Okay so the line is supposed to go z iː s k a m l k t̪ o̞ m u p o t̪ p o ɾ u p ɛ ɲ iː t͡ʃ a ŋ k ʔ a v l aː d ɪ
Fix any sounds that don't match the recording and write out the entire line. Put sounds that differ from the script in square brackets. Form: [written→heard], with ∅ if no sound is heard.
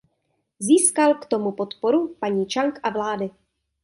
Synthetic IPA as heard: z iː s k a [m→∅] l k t̪ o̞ m u p o t̪ p o ɾ u p [ɛ→a] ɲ iː t͡ʃ a ŋ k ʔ a v l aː d ɪ